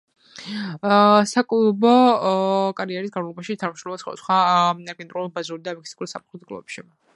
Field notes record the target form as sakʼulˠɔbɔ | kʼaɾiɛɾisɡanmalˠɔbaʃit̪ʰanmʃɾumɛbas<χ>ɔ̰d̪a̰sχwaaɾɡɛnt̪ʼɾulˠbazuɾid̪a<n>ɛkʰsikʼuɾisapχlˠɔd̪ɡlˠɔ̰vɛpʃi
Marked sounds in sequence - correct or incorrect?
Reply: correct, incorrect: m

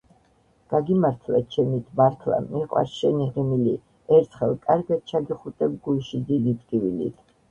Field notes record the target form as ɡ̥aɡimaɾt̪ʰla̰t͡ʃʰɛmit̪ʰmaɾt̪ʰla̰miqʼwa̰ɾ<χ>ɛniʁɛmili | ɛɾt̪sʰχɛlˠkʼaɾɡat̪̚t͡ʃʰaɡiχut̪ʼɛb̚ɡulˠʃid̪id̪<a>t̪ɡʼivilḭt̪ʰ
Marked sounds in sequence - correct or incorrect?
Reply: incorrect: ʃ, incorrect: i

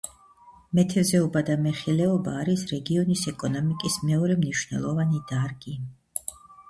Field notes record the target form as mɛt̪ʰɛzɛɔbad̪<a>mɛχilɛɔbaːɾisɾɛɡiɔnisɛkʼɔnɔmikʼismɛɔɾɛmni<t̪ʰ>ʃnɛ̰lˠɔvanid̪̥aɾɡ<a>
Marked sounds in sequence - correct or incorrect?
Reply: correct, incorrect: none, incorrect: i

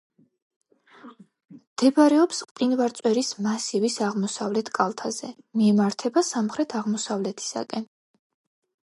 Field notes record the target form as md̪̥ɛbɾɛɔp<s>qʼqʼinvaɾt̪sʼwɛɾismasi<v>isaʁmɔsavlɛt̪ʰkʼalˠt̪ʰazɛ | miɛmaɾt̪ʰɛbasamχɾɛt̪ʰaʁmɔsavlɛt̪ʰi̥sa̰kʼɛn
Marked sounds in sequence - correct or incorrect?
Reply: correct, correct

